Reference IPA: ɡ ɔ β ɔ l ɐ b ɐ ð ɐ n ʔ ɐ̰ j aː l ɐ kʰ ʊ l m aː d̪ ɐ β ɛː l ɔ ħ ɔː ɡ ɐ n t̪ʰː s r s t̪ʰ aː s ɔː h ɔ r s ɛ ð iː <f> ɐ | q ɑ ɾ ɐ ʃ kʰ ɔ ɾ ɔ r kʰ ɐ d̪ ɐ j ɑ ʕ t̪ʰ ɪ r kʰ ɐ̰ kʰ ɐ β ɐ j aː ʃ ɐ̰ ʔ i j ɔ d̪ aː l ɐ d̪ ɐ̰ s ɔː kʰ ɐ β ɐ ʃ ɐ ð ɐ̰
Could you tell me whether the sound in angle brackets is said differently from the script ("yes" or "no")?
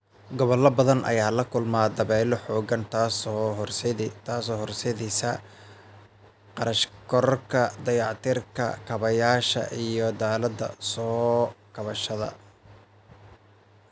yes